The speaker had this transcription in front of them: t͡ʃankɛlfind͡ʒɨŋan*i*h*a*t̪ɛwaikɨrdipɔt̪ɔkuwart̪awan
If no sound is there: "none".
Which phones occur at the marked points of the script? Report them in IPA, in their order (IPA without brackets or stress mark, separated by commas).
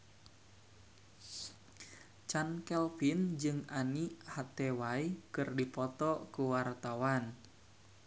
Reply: i, a